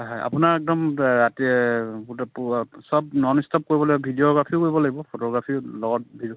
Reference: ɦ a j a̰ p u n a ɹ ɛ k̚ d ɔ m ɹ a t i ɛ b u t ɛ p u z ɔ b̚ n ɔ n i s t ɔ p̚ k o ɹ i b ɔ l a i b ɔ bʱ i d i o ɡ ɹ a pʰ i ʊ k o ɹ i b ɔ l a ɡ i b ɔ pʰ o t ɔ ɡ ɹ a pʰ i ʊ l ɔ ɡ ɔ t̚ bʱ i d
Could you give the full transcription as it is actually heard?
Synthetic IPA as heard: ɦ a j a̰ p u n a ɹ ɛ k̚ d ɔ m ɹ a t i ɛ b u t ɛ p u s ɔ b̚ n ɔ n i s t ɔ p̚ k o ɹ i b ɔ l a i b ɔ bʱ i d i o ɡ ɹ a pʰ i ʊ k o ɹ i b ɔ l a ɡ i b ɔ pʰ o t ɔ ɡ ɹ a pʰ i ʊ l ɔ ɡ ɔ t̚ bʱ i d